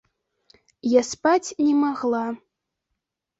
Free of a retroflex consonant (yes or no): yes